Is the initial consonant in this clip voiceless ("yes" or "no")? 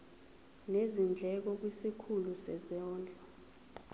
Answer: no